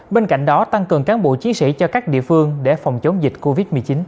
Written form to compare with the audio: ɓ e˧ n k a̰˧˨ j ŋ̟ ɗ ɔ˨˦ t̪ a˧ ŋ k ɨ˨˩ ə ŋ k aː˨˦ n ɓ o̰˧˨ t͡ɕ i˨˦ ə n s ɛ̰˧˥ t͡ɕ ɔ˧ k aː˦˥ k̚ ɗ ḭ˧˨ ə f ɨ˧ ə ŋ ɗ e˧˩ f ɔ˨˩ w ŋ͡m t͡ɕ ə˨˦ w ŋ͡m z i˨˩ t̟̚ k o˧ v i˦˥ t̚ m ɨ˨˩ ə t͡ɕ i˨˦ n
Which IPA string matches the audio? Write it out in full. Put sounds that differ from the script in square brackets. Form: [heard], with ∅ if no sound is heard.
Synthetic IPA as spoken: ɓ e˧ n k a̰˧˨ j ŋ̟ ɗ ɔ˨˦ t̪ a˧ ŋ k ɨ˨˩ ə ŋ k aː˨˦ n ɓ o̰˧˨ t͡ɕ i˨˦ ə n s [ḭ˧˥] t͡ɕ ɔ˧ k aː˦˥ k̚ ɗ ḭ˧˨ ə f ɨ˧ ə ŋ ɗ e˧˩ f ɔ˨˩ w ŋ͡m t͡ɕ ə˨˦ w ŋ͡m z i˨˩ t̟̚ k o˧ v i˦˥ t̚ m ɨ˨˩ ə t͡ɕ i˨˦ n